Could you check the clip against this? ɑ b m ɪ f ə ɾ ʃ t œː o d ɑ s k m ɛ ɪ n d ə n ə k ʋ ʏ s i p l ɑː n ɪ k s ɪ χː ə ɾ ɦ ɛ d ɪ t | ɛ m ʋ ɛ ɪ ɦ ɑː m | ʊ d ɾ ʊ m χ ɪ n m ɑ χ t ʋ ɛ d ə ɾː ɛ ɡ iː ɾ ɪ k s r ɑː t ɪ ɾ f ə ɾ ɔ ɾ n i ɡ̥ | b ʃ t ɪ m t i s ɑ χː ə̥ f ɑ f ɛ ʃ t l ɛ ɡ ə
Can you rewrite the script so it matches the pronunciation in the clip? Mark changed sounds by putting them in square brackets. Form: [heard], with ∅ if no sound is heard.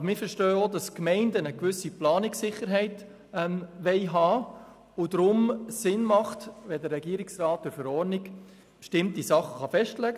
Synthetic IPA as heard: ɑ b m ɪ f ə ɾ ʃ t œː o d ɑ s k m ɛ ɪ n d ə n ə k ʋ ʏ s i p l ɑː n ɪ k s ɪ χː ə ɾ ɦ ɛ [∅] ɪ t | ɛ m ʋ ɛ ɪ ɦ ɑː [∅] | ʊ d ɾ ʊ m [s] ɪ n m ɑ χ t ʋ ɛ d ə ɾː ɛ ɡ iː ɾ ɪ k s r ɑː t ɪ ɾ f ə ɾ ɔ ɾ n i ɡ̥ | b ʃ t ɪ m t i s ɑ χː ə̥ [χ] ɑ f ɛ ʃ t l ɛ ɡ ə

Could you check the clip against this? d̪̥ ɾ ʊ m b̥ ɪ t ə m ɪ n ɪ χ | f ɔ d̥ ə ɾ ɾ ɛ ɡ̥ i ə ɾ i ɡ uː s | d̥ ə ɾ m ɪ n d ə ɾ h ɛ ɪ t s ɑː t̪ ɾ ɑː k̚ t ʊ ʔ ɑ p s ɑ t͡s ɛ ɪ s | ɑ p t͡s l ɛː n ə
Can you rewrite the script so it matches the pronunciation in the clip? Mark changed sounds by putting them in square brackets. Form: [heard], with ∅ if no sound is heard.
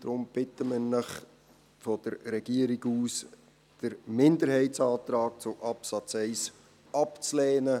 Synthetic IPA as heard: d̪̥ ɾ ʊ m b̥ ɪ t ə m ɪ n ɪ χ | f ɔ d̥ ə ɾ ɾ ɛ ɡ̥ i ə ɾ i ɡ uː s | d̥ ə ɾ m ɪ n d ə ɾ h ɛ ɪ t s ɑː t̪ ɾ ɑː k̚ [t͡s] ʊ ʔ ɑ p s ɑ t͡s ɛ ɪ s | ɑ p t͡s l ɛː n ə

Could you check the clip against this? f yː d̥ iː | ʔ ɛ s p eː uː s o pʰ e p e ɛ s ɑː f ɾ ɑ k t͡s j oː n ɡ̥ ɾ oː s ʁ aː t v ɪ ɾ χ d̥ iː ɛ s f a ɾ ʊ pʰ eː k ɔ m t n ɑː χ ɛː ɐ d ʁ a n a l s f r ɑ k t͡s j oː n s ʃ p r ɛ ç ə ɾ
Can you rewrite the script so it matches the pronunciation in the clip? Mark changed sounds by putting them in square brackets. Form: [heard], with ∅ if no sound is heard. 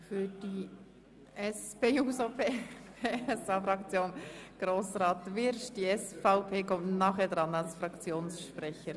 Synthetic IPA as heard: f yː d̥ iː | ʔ ɛ s p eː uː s o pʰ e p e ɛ s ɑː f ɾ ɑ k t͡s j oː n ɡ̥ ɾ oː s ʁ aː t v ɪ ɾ [ʃ] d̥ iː ɛ s f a [∅] ʊ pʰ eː k ɔ m t n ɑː χ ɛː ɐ d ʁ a n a l s f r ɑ k t͡s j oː n s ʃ p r ɛ ç ə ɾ

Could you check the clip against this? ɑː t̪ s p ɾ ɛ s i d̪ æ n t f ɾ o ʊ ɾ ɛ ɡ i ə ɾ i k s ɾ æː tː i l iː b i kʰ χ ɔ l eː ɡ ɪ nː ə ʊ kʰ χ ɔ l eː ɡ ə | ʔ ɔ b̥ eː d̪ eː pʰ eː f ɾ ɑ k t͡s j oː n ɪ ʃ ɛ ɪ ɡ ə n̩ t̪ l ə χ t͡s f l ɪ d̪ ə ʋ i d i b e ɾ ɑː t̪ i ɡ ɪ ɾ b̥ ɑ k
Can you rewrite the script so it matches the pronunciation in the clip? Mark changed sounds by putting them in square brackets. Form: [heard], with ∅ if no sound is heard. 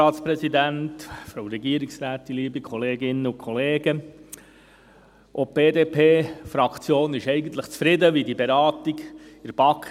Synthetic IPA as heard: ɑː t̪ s p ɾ ɛ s i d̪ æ n t f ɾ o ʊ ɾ ɛ ɡ i ə ɾ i k s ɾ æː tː i l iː b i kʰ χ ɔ l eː ɡ ɪ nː ə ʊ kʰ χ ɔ l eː ɡ ə | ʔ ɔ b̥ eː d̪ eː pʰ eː f ɾ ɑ k t͡s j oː n ɪ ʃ ɛ ɪ ɡ ə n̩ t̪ l ə χ t͡s f [ɾ] ɪ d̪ ə ʋ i d i b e ɾ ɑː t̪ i ɡ ɪ ɾ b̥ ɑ k

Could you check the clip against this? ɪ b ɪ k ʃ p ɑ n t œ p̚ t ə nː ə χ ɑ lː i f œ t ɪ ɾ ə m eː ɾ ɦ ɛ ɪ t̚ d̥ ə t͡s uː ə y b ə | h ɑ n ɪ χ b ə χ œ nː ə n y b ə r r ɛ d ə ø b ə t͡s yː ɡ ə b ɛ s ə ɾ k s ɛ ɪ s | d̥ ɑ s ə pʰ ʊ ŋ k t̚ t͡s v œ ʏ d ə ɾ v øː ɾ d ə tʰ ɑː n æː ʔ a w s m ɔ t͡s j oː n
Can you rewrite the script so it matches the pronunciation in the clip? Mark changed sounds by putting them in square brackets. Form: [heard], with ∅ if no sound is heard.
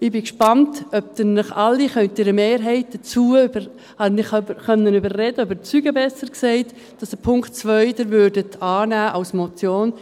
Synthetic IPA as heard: ɪ b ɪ k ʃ p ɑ n t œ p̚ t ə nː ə χ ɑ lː i [χ] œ t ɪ ɾ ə m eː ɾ ɦ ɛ ɪ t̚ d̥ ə t͡s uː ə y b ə | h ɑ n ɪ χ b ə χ œ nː ə n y b ə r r ɛ d ə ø b ə t͡s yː ɡ ə b ɛ s ə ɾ k s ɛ ɪ [t] | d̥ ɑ s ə pʰ ʊ ŋ k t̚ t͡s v œ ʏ d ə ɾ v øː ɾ d ə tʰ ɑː n æː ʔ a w s m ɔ t͡s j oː n

